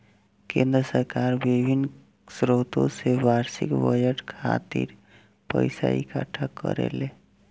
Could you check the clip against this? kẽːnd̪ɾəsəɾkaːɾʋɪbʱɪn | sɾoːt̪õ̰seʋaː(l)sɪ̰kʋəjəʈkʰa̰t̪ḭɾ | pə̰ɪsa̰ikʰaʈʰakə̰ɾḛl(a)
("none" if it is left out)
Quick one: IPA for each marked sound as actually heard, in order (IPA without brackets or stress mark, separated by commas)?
ɾ, e